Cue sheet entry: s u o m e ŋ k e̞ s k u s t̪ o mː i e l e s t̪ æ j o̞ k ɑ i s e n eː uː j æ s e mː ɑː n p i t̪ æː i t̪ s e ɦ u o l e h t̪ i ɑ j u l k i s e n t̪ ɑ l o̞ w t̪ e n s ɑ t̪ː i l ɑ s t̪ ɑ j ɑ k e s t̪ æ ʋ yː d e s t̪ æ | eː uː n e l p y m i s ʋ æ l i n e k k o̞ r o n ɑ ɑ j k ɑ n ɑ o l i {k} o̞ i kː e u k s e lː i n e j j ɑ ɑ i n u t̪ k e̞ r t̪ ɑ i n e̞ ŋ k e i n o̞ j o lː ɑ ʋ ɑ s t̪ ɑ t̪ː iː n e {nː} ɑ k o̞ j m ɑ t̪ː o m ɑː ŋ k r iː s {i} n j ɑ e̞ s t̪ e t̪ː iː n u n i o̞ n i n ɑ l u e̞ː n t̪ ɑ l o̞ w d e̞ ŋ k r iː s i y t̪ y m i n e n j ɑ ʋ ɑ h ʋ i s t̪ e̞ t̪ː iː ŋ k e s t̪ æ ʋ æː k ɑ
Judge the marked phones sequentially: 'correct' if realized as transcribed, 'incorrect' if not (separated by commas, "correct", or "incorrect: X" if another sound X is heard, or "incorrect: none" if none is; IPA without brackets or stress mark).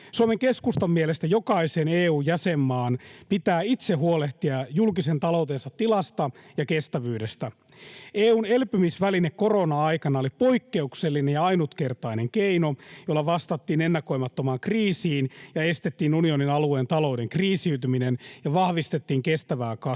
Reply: incorrect: p, correct, incorrect: iː